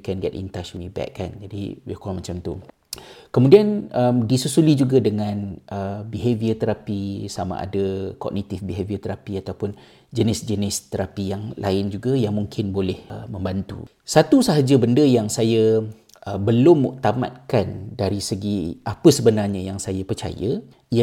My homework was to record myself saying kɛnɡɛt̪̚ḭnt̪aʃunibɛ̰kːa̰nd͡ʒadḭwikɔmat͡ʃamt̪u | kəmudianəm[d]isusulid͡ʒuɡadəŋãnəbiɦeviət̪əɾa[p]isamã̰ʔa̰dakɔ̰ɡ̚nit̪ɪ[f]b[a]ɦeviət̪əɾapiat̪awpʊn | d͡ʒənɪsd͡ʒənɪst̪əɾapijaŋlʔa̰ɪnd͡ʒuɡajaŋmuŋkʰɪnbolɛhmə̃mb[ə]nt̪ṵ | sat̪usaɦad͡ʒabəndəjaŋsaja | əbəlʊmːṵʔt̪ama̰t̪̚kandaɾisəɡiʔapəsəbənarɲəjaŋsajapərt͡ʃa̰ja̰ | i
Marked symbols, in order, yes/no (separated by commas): yes, yes, yes, no, no